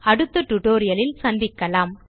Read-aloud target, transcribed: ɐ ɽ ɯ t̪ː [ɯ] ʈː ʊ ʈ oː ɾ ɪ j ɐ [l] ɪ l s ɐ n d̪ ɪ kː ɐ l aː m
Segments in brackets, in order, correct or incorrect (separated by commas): correct, correct